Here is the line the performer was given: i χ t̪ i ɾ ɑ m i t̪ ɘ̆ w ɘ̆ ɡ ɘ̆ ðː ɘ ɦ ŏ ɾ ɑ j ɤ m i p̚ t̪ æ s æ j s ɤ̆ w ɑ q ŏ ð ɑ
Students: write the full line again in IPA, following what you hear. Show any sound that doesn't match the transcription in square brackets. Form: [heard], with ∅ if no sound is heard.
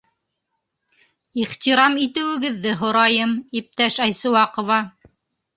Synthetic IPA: i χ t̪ i ɾ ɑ m i t̪ ɘ̆ w ɘ̆ ɡ ɘ̆ ðː ɘ ɦ ŏ ɾ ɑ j ɤ m i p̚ t̪ æ [ʃ] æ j s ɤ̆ w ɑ q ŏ [v] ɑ